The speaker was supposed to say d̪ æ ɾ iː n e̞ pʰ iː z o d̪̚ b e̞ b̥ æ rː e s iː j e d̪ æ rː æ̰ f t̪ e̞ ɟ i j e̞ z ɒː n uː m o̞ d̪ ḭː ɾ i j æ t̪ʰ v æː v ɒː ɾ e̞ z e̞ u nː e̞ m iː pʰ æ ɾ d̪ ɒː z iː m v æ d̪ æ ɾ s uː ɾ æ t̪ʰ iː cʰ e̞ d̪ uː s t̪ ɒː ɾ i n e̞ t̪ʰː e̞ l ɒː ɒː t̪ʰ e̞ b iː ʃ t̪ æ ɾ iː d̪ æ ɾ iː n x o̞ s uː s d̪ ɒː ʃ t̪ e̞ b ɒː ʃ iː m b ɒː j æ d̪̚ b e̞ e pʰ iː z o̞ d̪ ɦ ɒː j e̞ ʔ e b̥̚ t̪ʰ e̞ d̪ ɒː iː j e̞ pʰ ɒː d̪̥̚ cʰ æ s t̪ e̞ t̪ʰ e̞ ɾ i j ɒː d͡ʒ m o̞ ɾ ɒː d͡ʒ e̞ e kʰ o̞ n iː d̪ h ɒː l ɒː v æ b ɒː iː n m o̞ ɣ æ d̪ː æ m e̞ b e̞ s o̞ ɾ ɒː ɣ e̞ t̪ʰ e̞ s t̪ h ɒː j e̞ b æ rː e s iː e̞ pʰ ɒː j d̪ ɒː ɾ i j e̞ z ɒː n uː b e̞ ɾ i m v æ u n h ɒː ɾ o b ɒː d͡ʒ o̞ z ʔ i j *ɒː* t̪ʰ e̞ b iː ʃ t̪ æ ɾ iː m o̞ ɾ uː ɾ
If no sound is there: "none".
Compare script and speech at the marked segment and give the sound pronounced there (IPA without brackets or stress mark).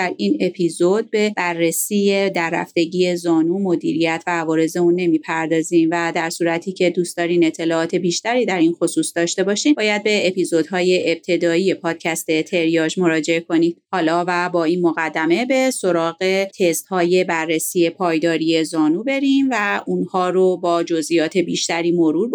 ɒː